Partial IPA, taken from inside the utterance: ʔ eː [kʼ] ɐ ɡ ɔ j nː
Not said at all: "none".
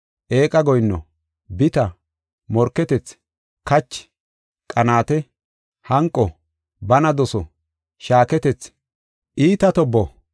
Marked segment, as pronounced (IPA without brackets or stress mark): kʼ